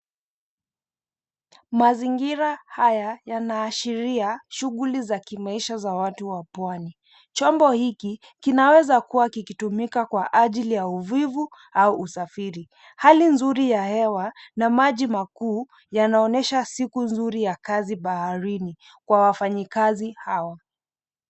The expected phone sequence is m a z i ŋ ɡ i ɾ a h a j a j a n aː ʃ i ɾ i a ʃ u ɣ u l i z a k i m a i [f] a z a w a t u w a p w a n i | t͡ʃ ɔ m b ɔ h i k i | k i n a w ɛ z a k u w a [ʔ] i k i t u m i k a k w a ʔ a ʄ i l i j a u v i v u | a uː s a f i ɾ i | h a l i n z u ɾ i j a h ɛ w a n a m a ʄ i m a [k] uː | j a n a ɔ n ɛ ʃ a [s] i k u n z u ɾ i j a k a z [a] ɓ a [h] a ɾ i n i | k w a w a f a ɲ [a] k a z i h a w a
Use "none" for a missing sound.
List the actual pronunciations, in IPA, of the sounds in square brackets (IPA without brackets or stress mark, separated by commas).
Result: ʃ, k, k, s, i, h, i